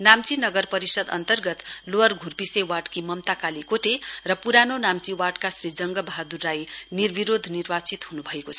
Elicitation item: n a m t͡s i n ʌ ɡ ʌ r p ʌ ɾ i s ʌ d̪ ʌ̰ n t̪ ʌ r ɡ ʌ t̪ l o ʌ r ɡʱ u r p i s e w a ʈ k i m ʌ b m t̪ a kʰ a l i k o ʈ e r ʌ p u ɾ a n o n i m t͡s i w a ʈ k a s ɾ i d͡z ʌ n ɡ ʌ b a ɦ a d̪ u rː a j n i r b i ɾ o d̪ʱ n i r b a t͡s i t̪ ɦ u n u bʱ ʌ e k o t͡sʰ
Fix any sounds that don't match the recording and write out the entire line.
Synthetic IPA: n a m t͡s i n ʌ ɡ ʌ r p ʌ ɾ i s ʌ d̪ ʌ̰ n t̪ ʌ r ɡ ʌ t̪ l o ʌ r ɡʱ u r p i s e w a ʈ k i m ʌ m t̪ a k a l i k o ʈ e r ʌ p u ɾ a n o n a m t͡s i w a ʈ k a s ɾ i d͡z ʌ ŋ ɡ ʌ b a ɦ a d̪ u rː a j n i r b i ɾ o d̪ʱ n i r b a t͡s i t̪ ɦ u n u bʱ ʌ e k o t͡sʰ